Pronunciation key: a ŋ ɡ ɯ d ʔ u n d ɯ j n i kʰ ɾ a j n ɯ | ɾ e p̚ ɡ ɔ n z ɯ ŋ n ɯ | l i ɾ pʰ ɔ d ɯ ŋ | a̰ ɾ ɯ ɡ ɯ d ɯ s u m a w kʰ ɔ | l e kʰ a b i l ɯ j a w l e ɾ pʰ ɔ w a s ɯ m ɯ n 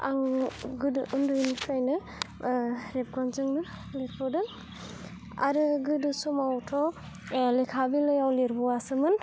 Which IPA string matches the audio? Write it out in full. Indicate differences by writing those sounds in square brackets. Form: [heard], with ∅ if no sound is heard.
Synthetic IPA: a ŋ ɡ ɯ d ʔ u n d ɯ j n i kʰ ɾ a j n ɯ | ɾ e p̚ ɡ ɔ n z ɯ ŋ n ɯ | l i ɾ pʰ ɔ d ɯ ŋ | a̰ ɾ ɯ ɡ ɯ d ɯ s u m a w [tʰ] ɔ | l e kʰ a b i l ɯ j a w l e ɾ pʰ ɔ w a s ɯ m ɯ n